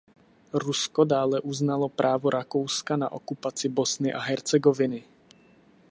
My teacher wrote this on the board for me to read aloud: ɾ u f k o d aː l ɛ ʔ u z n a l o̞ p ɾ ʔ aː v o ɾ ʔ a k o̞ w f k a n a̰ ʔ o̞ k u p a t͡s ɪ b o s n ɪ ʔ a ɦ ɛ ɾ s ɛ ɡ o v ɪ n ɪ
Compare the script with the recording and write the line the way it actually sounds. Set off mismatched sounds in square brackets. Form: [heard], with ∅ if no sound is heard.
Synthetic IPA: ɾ u [s] k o d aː l ɛ ʔ u z n a l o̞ p ɾ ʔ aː v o ɾ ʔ a k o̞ w [s] k a n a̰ ʔ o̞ k u p a t͡s ɪ b o s n ɪ ʔ a ɦ ɛ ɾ [t͡s] ɛ ɡ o v ɪ n ɪ